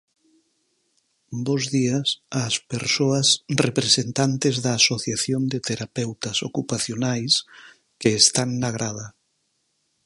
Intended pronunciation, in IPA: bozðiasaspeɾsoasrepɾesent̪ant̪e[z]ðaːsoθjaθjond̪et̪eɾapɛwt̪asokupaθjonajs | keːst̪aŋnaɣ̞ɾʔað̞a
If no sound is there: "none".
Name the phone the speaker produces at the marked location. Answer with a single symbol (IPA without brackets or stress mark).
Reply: z